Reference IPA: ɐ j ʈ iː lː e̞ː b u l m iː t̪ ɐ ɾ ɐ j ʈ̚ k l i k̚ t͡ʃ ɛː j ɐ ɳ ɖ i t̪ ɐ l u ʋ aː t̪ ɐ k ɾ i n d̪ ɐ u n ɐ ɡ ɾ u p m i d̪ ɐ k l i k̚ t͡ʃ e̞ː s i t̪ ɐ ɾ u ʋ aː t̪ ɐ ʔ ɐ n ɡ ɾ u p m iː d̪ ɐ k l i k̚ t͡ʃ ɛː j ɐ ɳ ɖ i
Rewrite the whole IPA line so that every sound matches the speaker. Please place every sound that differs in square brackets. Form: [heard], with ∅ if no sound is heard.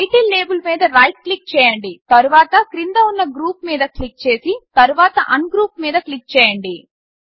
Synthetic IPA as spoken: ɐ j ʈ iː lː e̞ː b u l m iː [d̪] ɐ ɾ ɐ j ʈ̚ k l i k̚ t͡ʃ ɛː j ɐ ɳ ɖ i t̪ ɐ [ɾ] u ʋ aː t̪ ɐ k ɾ i n d̪ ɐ u [nː] ɐ ɡ ɾ [uː] p m [iː] d̪ ɐ k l i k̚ t͡ʃ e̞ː s i t̪ ɐ ɾ u ʋ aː t̪ ɐ ʔ ɐ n ɡ ɾ [uː] p m iː d̪ ɐ k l i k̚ t͡ʃ ɛː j ɐ ɳ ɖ i